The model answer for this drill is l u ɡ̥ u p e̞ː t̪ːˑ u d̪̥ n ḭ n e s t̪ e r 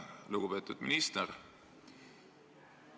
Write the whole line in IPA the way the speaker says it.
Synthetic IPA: l u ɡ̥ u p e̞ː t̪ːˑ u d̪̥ m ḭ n i s t̪ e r